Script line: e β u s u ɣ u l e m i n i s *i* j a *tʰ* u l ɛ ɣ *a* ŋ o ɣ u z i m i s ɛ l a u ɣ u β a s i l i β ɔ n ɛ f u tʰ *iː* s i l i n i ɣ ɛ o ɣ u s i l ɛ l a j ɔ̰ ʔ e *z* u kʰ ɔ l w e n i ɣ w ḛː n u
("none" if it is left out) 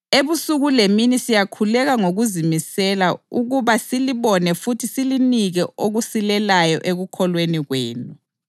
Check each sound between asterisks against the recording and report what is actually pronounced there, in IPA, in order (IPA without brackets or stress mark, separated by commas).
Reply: i, kʰ, a, i, ɣ